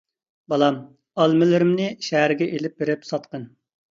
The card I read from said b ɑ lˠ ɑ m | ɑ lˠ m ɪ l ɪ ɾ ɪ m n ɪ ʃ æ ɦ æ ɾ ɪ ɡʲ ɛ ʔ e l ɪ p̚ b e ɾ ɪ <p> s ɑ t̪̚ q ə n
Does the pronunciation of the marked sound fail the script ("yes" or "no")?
no